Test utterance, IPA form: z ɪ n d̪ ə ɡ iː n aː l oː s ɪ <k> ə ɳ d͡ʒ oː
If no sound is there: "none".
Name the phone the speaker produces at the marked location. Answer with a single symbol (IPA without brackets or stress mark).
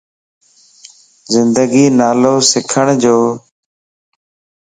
kʰ